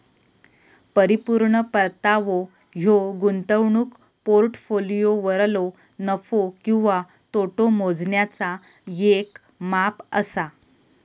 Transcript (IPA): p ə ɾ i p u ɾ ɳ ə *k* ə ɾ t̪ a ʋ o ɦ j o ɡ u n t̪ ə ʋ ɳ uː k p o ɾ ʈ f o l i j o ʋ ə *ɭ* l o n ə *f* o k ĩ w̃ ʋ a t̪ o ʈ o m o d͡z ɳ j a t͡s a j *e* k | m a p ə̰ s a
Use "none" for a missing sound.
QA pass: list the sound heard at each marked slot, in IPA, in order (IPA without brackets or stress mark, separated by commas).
p, ɾ, f, e